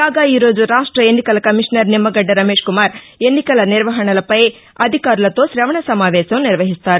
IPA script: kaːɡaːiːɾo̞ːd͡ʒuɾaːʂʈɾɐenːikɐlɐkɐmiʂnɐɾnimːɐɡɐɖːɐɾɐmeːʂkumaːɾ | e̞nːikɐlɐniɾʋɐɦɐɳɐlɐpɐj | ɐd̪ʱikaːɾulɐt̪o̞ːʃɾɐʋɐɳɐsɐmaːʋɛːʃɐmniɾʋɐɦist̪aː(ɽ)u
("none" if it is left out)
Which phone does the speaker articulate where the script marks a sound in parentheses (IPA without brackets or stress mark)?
ɾ